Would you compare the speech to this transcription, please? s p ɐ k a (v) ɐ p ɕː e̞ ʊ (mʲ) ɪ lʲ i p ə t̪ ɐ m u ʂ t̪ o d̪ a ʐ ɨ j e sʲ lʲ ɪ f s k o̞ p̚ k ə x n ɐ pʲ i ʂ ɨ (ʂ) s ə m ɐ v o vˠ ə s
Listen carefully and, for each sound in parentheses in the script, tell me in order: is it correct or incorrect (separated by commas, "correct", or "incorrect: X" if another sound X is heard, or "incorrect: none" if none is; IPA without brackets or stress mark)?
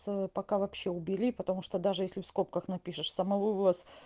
correct, incorrect: bʲ, correct